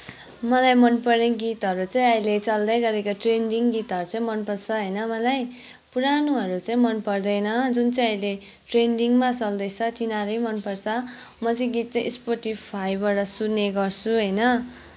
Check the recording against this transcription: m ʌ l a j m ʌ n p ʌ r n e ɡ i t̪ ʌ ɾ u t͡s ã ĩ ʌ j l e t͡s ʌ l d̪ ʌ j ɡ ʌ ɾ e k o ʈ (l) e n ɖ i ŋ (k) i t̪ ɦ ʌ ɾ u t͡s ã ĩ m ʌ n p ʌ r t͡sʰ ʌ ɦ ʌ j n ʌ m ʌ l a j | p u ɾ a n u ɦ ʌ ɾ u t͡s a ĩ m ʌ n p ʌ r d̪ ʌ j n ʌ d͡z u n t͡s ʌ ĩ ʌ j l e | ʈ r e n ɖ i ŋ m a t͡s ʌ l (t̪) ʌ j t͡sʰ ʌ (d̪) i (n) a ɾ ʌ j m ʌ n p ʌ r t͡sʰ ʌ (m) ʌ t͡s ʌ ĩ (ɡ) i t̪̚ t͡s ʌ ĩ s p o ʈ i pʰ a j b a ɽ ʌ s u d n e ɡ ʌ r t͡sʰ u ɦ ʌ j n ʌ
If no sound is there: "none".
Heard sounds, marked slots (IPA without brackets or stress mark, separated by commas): r, ɡ, d̪, t̪, n, m, ɡ